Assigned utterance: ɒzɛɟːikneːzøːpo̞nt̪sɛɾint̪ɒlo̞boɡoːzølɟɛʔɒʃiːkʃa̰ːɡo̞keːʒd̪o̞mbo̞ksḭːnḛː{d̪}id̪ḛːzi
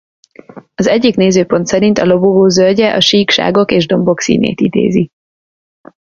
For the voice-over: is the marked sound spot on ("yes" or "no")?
no